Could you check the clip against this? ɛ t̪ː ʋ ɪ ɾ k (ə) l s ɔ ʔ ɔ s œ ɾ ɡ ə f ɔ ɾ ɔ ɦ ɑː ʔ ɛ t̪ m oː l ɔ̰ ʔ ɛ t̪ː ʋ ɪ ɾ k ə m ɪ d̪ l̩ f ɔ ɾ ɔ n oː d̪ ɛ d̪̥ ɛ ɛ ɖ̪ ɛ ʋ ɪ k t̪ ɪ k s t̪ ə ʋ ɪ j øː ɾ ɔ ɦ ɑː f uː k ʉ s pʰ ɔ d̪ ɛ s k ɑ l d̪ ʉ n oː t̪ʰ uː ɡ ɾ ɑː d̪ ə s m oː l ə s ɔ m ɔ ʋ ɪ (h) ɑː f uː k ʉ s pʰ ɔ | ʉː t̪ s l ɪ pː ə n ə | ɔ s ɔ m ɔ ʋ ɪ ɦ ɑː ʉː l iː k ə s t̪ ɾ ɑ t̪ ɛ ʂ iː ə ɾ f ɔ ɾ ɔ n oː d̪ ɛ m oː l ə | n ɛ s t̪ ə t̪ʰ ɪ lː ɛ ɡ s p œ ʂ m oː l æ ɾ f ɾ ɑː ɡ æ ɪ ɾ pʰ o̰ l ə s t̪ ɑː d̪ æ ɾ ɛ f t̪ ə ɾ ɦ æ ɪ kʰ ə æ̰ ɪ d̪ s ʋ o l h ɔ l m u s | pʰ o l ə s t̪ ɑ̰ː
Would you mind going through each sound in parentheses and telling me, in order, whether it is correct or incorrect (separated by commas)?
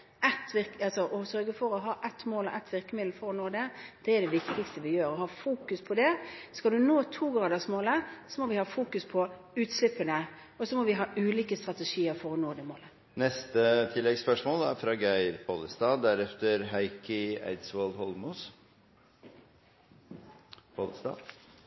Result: incorrect, correct